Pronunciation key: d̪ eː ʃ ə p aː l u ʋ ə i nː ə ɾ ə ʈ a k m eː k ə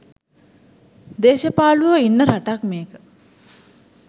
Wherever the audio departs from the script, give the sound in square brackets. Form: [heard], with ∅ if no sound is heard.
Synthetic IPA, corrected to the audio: d̪ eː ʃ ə p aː l u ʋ ə i nː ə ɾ [a] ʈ a k m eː k ə